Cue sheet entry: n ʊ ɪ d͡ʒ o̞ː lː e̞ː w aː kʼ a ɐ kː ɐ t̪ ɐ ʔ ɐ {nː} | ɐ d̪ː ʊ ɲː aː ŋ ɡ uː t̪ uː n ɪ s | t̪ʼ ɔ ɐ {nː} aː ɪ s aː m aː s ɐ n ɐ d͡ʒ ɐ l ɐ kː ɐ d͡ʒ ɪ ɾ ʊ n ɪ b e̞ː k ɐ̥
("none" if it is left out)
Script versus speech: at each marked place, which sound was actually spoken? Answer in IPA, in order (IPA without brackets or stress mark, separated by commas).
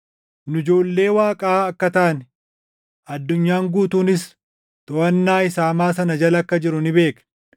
n, nː